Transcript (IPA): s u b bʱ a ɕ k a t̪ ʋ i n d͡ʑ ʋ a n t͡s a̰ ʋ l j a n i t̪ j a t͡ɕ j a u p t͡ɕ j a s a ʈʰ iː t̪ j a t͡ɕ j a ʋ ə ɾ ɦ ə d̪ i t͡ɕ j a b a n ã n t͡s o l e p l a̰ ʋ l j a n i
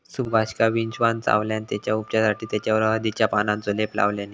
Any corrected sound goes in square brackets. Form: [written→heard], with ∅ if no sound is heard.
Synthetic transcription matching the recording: s u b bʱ a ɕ k a [t̪→∅] ʋ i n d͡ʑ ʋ a n t͡s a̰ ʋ l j a n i t̪ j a t͡ɕ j a u p t͡ɕ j a s a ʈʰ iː t̪ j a t͡ɕ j a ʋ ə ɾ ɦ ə d̪ i t͡ɕ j a [b→p] a n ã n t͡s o l e p l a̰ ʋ l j a n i